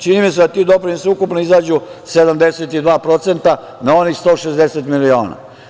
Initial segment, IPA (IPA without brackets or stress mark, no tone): t͡ʃ